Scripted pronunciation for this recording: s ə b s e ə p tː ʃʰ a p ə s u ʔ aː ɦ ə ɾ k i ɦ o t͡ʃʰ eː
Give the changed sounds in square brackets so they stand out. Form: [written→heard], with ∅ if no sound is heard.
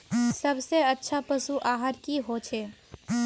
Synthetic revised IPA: s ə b s e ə [p→∅] tː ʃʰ a p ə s u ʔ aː ɦ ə ɾ k i ɦ o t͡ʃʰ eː

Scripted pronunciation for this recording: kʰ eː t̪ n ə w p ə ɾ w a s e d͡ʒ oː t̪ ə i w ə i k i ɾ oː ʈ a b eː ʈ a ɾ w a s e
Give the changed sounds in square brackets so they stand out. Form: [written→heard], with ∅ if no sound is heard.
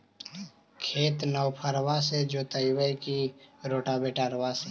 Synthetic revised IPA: kʰ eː t̪ n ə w [p→pʰ] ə ɾ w a s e d͡ʒ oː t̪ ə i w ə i k i ɾ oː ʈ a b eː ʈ a ɾ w a s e

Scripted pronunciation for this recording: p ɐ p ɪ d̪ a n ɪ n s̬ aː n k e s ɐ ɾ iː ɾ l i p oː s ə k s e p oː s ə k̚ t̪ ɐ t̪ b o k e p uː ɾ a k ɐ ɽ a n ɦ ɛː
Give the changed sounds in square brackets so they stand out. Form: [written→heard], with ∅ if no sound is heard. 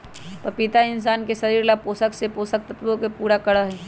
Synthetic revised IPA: p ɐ p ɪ [d̪→t̪] a [n→∅] ɪ n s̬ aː n k e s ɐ ɾ iː ɾ l [i→a] p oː s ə k s e p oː s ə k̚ t̪ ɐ t̪ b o k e p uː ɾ a k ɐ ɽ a [n→∅] ɦ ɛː

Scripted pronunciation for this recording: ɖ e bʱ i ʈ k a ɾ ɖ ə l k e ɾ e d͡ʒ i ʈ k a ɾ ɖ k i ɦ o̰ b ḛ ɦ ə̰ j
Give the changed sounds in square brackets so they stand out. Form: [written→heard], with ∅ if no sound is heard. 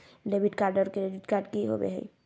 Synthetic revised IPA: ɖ e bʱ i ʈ k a ɾ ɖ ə [l→ɾ] k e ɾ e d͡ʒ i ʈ k a ɾ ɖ k i ɦ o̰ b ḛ ɦ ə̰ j

